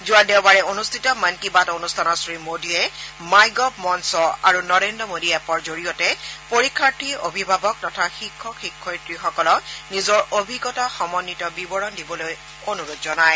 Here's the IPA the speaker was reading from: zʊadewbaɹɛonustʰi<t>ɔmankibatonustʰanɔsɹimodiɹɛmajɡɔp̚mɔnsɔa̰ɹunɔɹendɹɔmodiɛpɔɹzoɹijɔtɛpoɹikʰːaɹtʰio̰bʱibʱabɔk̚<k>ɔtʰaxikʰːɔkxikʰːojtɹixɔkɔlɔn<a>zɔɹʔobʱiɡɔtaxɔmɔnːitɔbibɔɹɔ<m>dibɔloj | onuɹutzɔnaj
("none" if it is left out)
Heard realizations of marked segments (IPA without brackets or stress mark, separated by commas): t, t, i, n